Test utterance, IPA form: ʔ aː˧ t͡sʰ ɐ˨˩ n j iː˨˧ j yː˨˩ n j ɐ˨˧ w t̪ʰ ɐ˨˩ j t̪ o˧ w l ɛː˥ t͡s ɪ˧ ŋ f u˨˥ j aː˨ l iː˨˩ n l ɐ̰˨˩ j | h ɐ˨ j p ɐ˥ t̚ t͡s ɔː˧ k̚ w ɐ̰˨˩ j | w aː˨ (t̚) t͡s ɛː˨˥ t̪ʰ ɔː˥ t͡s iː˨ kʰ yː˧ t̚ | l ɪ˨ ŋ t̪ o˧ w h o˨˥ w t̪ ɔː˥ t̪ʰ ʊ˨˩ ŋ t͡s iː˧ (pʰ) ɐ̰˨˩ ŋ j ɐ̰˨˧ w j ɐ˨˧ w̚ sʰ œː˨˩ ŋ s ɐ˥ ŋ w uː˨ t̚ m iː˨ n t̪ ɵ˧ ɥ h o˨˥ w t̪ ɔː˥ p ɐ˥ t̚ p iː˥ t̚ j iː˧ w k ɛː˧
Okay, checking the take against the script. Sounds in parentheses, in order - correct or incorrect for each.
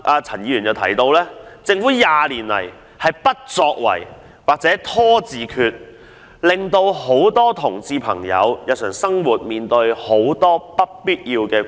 incorrect: k̚, correct

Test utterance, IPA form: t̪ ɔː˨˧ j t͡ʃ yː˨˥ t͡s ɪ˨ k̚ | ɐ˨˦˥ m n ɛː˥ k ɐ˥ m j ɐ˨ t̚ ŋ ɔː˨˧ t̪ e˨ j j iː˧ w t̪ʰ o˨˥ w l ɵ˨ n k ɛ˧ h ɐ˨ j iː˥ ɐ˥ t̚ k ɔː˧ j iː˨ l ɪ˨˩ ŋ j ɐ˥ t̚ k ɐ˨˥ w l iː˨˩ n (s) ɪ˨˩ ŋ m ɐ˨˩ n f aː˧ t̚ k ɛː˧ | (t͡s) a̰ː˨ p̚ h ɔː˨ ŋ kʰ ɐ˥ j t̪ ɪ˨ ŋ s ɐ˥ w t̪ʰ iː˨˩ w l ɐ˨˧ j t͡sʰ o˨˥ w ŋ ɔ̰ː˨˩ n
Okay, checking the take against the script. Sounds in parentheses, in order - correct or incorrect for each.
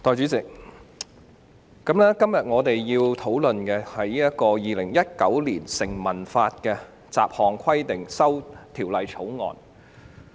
correct, correct

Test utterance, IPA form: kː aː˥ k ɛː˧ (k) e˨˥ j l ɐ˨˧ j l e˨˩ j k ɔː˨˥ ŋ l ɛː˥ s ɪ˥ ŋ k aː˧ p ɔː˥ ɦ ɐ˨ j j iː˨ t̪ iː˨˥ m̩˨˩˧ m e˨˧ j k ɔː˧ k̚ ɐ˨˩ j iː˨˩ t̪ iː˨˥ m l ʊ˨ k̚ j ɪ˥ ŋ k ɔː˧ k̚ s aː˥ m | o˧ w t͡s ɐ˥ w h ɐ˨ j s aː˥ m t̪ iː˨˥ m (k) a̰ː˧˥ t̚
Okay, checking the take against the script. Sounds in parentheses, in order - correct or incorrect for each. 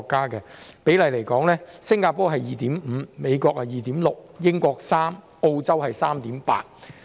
incorrect: p, incorrect: p

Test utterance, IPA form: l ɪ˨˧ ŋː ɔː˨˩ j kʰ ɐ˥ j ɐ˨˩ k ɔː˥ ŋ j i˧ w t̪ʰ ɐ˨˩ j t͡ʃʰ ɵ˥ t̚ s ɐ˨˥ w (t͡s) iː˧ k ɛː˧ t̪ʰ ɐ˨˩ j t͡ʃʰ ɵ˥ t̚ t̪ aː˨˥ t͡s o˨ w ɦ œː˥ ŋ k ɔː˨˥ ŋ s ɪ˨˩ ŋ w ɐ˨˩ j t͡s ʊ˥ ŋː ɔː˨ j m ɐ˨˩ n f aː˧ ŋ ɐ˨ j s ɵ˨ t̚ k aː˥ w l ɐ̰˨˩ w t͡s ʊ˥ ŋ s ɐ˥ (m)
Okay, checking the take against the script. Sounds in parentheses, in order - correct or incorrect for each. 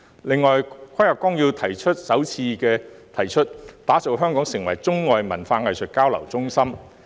incorrect: t͡sʰ, correct

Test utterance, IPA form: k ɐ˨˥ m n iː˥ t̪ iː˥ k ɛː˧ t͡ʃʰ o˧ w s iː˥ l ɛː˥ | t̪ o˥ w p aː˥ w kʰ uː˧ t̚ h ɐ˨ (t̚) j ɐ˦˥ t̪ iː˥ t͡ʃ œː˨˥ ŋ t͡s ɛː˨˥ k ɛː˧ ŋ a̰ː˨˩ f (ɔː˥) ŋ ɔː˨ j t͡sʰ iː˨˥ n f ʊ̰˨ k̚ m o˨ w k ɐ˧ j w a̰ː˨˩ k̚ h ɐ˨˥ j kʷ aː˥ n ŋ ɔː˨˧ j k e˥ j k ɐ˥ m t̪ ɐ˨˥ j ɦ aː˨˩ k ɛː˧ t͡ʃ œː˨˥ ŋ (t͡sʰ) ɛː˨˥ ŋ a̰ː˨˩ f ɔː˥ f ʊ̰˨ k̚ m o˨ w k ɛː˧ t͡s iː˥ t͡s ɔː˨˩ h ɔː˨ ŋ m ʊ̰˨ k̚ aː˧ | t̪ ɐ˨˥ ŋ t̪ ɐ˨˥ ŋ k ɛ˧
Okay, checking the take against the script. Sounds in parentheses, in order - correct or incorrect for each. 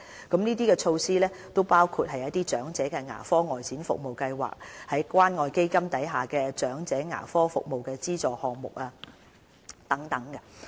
incorrect: none, correct, incorrect: t͡s

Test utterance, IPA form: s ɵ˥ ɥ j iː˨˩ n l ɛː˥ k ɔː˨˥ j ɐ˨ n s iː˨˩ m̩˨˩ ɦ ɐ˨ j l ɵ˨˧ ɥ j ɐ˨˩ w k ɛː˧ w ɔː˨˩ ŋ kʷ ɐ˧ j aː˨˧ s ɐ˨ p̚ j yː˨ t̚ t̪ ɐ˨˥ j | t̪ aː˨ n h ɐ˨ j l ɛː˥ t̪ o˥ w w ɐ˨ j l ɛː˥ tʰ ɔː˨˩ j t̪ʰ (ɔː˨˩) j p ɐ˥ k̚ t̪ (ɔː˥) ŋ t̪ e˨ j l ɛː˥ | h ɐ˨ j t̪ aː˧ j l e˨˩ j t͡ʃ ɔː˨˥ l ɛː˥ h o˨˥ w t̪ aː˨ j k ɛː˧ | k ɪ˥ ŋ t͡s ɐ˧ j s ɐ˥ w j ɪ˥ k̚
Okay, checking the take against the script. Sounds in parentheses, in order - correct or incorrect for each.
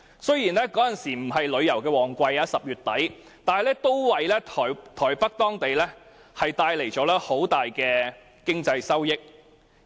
correct, correct

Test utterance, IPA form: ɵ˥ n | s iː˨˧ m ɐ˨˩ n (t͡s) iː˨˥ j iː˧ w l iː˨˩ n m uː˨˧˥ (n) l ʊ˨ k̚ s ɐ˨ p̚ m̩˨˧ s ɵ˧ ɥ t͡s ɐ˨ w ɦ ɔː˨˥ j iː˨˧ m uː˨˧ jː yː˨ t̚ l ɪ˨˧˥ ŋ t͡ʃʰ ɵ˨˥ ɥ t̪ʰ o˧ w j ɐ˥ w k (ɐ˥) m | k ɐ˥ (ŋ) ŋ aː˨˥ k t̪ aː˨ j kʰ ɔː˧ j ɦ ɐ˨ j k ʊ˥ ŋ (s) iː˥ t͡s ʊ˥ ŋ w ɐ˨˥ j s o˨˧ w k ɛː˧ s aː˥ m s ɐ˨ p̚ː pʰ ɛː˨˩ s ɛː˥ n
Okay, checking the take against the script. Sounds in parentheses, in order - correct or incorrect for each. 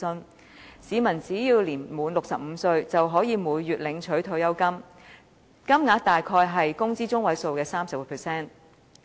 correct, correct, correct, incorrect: m, incorrect: t͡s

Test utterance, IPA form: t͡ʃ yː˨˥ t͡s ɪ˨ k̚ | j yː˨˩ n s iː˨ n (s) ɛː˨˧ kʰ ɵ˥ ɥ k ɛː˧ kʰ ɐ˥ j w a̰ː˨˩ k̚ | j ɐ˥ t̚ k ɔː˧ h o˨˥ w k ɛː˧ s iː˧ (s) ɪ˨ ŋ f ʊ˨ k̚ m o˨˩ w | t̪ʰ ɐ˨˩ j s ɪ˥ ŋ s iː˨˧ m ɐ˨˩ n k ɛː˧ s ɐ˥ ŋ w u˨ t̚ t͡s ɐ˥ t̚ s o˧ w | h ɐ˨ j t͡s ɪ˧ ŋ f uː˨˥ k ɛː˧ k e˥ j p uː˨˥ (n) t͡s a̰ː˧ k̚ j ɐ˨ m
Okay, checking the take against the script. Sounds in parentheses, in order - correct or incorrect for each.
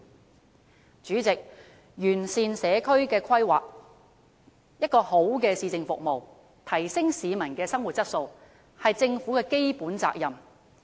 correct, incorrect: t͡s, correct

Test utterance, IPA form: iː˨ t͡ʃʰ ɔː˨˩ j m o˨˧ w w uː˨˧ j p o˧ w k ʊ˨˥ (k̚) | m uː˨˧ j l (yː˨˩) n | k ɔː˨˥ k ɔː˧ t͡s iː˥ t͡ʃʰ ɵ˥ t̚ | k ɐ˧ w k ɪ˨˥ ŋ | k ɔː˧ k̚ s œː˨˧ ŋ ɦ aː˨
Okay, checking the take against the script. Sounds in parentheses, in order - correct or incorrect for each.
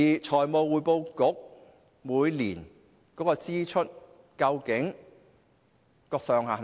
correct, incorrect: iː˨˩

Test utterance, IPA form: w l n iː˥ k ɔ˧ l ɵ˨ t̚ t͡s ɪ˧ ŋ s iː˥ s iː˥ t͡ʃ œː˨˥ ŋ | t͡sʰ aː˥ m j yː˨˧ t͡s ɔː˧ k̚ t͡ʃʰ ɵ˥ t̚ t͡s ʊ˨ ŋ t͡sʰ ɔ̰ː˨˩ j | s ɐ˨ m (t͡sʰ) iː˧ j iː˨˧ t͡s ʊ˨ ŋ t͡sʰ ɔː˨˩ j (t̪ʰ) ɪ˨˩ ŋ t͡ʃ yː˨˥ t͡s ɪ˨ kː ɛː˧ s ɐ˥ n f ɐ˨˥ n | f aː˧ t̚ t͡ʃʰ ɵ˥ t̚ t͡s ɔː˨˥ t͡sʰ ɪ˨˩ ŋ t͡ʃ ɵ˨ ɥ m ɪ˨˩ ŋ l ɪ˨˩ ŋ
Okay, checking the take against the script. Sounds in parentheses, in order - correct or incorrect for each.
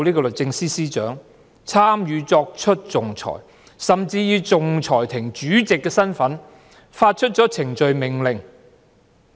incorrect: t͡s, correct

